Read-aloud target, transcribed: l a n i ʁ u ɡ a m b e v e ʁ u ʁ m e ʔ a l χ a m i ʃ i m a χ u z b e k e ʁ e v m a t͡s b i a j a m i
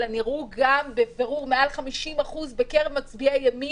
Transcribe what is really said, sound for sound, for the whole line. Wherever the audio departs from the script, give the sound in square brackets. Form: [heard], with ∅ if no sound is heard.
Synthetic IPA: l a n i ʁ u ɡ a m b e v e ʁ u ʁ m e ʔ a l χ a m i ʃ i m a χ u z b e k e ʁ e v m a t͡s b i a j a m i